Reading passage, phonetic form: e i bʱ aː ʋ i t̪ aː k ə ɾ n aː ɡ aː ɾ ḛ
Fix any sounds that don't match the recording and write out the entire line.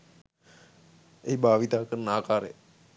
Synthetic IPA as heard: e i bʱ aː ʋ i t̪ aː k ə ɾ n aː k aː ɾ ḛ